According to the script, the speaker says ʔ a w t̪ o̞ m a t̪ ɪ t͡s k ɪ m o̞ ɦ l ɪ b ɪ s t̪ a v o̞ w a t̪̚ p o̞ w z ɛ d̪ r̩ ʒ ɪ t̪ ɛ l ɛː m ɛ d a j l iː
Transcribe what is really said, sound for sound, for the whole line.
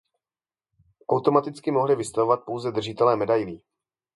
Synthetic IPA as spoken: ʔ a w t̪ o̞ m a t̪ ɪ t͡s k ɪ m o̞ ɦ l ɪ v ɪ s t̪ a v o̞ v a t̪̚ p o̞ w z ɛ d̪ r̩ ʒ ɪ t̪ ɛ l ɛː m ɛ d a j l iː